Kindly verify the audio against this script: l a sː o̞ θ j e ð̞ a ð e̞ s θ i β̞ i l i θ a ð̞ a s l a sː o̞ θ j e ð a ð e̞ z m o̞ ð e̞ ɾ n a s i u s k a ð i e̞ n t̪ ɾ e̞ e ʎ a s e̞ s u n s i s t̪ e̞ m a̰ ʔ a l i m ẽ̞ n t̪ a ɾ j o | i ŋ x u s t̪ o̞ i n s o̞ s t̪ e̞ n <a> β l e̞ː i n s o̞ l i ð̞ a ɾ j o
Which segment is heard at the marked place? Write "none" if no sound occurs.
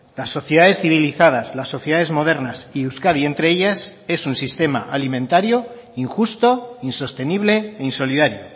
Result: i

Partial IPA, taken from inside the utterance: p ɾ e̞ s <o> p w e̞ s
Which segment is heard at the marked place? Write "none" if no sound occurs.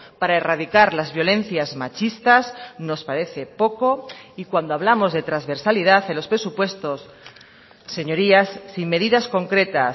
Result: u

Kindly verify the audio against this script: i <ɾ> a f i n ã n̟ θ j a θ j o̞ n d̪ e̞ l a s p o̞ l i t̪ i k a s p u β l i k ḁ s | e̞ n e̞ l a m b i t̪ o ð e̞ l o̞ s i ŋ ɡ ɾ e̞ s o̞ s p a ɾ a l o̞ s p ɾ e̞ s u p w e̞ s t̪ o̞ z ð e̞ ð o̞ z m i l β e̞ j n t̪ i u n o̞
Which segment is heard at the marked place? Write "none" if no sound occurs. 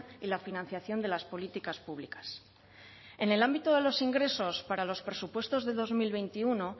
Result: l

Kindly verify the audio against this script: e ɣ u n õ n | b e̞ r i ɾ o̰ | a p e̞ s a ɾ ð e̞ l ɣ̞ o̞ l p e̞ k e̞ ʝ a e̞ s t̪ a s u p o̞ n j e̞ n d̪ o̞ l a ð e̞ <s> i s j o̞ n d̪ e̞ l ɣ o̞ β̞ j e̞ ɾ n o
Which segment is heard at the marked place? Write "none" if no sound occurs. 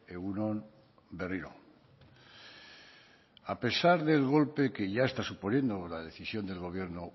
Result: θ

